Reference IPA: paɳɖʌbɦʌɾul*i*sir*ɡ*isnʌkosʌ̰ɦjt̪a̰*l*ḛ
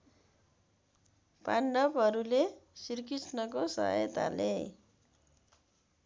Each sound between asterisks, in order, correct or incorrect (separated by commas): incorrect, incorrect, correct